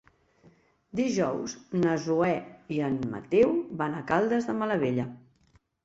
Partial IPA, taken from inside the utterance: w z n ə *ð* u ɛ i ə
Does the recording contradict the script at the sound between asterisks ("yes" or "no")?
yes